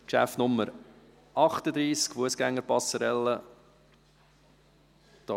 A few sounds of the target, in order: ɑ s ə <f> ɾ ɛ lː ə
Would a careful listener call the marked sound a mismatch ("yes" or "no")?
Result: yes